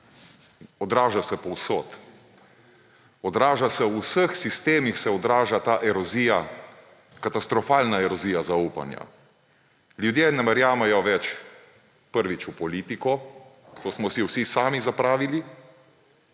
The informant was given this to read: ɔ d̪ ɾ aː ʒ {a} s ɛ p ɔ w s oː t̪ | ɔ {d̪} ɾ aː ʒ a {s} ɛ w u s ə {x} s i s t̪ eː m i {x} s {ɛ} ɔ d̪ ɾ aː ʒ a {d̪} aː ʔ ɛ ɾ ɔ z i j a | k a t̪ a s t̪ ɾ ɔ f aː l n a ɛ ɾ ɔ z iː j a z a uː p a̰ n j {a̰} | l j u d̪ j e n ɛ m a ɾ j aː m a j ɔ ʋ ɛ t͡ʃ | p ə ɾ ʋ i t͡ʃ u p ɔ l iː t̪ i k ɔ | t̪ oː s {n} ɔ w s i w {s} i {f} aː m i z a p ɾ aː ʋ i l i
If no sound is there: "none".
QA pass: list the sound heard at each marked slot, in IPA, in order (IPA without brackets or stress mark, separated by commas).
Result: a, d̪, s, x, x, ɛ, t̪, a̰, m, s, s